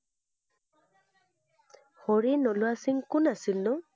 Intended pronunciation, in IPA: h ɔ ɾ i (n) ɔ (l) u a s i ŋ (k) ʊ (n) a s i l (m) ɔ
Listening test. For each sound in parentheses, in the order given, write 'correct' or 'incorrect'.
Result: correct, correct, correct, correct, incorrect: n

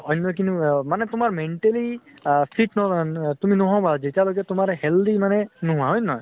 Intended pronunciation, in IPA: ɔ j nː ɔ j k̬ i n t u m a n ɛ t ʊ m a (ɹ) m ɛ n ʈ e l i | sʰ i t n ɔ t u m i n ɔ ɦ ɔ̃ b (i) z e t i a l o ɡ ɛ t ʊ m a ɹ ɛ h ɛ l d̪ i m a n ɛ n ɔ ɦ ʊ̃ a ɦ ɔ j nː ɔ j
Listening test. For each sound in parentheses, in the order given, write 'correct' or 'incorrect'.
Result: correct, incorrect: a

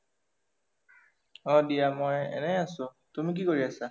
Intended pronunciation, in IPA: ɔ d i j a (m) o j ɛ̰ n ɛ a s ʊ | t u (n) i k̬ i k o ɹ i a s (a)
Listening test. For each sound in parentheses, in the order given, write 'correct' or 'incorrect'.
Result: correct, incorrect: m, correct

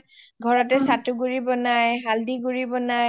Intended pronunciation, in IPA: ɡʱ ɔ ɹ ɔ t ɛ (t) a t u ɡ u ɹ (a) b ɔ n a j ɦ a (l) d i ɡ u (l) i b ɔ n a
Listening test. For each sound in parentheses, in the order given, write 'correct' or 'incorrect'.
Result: incorrect: s, incorrect: i, correct, incorrect: ɹ

